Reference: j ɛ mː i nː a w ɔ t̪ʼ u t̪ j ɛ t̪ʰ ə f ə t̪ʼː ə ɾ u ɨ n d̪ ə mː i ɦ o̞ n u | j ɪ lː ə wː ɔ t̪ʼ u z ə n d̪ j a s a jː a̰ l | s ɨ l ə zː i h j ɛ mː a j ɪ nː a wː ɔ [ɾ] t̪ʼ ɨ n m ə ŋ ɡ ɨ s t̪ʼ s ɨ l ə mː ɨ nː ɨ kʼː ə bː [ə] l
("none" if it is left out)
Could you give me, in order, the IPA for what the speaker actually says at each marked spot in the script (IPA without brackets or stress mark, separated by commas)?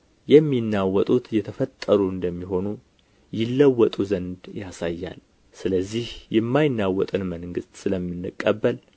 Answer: none, ə